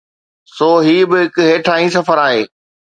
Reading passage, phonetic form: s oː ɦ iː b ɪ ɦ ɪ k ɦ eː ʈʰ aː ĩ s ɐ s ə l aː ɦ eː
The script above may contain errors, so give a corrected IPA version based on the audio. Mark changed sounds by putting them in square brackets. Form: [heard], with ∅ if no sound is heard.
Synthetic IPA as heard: s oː ɦ iː b ɪ ɦ ɪ k ɦ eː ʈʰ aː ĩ s ɐ [f] ə [ɾ] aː ɦ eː